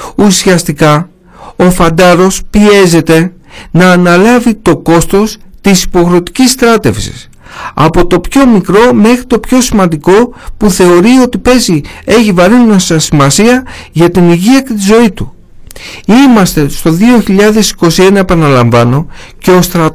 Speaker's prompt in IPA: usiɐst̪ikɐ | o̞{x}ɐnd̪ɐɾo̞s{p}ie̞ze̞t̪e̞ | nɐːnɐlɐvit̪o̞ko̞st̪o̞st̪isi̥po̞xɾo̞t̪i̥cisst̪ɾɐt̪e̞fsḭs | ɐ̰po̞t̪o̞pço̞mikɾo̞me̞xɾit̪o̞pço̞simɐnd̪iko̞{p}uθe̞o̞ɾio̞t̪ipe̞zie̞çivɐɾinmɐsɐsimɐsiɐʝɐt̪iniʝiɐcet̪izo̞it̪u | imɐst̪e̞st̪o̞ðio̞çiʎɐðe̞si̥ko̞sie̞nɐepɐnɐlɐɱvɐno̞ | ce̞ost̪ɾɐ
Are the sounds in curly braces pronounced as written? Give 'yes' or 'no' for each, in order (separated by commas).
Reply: no, yes, yes